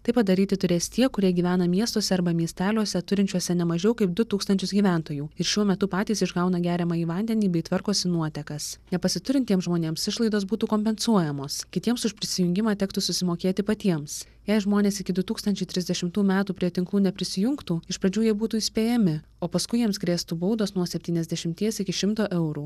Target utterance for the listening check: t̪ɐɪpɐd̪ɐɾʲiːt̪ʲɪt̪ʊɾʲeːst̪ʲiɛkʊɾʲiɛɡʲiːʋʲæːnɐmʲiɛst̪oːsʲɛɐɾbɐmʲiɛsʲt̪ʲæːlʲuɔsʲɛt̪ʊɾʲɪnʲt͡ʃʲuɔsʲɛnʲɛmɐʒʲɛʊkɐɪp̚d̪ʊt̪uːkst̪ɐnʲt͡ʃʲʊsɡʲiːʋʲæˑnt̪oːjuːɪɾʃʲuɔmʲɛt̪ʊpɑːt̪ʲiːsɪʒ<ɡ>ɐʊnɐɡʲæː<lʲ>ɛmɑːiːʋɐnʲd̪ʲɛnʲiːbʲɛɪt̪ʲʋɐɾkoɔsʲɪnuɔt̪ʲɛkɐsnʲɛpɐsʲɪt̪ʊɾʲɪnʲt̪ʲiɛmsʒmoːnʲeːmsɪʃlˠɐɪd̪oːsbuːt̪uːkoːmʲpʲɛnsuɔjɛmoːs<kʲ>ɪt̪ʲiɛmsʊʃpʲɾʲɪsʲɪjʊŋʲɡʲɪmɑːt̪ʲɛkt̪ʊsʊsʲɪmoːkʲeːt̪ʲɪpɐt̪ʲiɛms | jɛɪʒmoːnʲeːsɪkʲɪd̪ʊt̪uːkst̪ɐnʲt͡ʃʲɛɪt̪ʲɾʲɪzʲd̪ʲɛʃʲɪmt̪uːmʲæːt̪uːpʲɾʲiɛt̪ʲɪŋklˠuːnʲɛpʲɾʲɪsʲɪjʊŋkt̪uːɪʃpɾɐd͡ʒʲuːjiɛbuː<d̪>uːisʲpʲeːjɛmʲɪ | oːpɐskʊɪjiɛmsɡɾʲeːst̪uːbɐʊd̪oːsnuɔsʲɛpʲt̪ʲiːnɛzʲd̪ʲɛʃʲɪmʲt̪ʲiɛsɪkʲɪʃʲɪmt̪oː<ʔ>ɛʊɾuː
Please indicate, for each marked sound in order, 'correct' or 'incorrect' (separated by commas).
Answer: correct, incorrect, correct, incorrect, correct